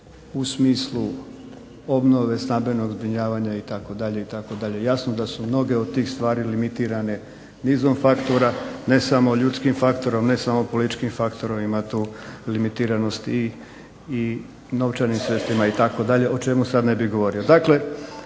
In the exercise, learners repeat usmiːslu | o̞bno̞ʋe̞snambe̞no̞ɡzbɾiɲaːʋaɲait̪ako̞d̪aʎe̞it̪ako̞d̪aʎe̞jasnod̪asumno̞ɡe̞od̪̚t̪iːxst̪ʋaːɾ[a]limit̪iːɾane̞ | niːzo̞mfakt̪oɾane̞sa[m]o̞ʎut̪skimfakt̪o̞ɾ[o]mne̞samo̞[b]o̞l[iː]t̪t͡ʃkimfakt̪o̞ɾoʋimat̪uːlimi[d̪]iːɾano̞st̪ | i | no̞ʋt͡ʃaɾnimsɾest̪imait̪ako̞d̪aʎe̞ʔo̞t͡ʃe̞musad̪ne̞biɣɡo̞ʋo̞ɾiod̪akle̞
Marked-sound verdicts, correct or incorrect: incorrect: i, correct, correct, incorrect: p, incorrect: i, incorrect: t̪

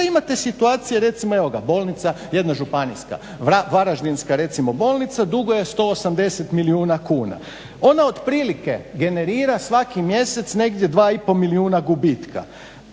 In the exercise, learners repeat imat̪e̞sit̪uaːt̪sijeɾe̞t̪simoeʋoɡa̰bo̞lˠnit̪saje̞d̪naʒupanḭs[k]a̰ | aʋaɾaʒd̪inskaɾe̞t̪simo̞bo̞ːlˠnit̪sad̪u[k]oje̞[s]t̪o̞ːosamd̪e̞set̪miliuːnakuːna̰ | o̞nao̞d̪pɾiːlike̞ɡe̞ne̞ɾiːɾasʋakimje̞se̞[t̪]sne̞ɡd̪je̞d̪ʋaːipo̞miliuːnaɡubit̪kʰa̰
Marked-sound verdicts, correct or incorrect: correct, incorrect: ɡ, correct, correct

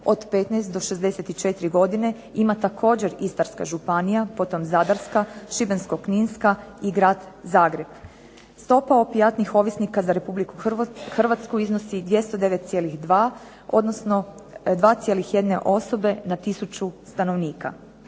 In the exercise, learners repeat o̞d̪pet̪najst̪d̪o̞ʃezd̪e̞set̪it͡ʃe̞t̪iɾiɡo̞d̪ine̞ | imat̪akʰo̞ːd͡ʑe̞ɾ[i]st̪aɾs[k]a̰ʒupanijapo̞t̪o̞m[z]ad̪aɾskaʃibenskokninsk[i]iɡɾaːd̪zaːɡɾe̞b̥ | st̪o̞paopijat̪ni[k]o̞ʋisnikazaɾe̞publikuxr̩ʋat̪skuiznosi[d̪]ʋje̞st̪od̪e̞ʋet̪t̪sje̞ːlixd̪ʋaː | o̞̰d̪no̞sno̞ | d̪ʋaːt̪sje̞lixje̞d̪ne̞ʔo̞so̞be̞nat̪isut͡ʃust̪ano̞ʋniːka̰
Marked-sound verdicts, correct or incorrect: correct, correct, correct, incorrect: a, incorrect: x, correct

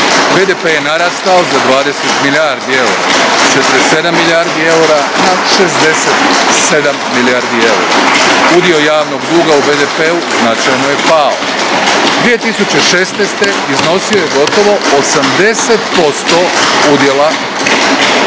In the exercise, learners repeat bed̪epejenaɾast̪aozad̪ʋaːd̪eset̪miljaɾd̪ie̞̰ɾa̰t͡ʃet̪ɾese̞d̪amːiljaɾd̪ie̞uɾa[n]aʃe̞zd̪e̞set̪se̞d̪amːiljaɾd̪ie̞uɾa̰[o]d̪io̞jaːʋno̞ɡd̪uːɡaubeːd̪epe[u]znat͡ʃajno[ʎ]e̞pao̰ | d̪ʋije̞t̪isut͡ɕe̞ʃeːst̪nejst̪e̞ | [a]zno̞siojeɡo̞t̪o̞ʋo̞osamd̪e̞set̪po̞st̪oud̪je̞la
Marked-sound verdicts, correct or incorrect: correct, incorrect: u, correct, incorrect: j, incorrect: i

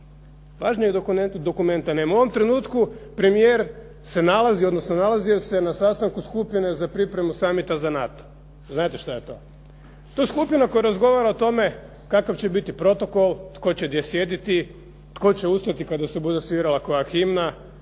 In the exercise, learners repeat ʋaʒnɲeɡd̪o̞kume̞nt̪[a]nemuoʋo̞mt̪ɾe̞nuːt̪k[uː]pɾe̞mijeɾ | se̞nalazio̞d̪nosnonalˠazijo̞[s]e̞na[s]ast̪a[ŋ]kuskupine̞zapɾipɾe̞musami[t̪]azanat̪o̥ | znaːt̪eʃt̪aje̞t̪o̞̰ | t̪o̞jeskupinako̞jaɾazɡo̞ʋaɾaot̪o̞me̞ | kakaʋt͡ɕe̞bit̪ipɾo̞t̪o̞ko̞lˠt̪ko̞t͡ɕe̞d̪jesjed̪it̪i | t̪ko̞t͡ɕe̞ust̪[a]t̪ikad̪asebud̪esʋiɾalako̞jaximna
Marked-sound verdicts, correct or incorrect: correct, incorrect: u, correct, correct, correct, correct, correct

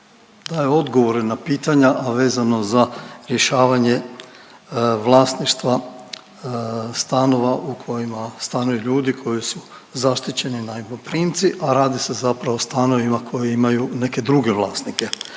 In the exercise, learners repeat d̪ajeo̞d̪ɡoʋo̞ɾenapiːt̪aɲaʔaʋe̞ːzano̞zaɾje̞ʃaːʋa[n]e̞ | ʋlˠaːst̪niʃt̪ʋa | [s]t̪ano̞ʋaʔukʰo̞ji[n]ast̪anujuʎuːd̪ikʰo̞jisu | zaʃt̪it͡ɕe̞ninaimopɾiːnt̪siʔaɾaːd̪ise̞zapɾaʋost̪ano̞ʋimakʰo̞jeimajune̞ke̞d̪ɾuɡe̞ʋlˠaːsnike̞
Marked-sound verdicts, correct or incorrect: incorrect: ɲ, correct, incorrect: m

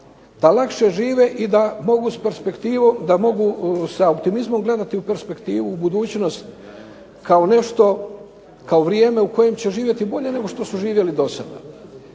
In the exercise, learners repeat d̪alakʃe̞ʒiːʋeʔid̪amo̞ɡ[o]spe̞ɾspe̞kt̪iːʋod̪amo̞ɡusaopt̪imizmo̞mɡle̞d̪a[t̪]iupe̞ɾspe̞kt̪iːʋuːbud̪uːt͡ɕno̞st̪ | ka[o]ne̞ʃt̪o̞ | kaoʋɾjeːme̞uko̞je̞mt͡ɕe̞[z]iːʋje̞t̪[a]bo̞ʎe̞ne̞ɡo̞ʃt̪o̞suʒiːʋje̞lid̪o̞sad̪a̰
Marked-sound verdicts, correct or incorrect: incorrect: u, correct, correct, incorrect: ʒ, incorrect: i

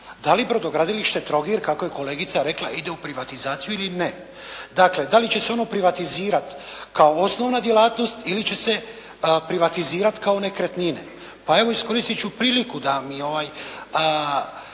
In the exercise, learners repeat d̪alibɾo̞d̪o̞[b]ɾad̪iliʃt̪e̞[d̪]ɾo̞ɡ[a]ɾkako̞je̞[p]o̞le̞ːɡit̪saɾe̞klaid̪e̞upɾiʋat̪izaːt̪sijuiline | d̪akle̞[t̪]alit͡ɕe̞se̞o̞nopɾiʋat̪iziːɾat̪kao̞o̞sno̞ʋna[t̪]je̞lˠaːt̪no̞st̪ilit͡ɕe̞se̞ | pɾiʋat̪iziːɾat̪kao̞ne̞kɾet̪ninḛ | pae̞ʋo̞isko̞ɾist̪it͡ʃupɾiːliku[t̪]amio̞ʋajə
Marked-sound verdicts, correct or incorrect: incorrect: ɡ, incorrect: t̪, incorrect: i, incorrect: k, incorrect: d̪, incorrect: d̪, incorrect: d̪

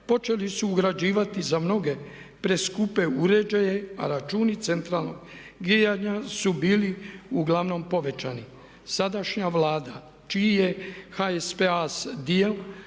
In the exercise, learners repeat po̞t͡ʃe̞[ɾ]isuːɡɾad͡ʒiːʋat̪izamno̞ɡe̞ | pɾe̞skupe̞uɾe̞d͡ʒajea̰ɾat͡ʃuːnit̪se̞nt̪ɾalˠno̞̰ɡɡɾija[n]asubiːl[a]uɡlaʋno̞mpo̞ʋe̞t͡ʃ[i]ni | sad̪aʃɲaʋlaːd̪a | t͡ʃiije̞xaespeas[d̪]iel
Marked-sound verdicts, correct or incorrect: incorrect: l, incorrect: ɲ, incorrect: i, incorrect: a, correct

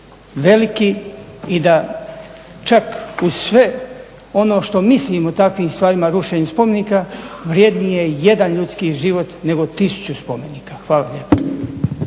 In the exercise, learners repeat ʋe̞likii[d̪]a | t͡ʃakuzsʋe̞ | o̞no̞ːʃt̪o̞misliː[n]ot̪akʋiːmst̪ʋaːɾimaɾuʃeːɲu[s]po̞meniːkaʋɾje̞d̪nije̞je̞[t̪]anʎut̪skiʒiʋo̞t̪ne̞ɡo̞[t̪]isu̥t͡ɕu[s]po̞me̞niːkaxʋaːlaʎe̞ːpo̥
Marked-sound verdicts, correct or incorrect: correct, incorrect: m, correct, incorrect: d̪, correct, correct

